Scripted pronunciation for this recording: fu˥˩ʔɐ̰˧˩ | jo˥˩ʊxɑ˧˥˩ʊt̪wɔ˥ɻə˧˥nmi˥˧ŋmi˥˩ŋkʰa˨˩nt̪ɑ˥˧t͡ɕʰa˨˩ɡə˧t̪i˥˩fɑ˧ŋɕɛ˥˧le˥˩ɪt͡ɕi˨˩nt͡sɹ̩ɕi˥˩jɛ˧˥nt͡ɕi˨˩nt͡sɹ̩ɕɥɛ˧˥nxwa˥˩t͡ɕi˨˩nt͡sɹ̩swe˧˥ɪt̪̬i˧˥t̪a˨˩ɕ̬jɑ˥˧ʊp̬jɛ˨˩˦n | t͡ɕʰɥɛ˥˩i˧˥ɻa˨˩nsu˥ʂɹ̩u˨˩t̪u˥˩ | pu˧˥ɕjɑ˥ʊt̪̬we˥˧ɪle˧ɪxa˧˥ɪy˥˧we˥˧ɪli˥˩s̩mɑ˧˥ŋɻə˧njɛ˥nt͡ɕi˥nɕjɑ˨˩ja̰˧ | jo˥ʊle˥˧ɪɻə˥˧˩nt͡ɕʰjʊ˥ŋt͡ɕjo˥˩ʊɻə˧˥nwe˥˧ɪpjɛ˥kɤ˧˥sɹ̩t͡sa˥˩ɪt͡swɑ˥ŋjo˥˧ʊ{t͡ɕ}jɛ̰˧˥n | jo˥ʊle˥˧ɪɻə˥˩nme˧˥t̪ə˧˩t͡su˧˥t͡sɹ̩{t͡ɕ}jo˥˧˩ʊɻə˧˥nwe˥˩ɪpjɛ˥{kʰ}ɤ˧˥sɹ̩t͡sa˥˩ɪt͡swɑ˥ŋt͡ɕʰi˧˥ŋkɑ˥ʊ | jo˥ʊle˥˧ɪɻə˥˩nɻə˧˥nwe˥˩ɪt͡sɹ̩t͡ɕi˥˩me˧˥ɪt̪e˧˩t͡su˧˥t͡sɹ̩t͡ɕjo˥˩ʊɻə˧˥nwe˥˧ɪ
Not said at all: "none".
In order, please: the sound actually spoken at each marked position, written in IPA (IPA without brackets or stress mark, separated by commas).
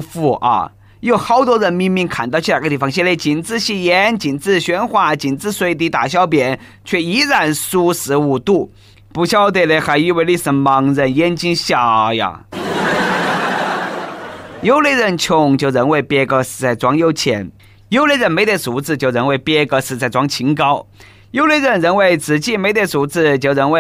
t͡ɕʰ, t͡ɕ, k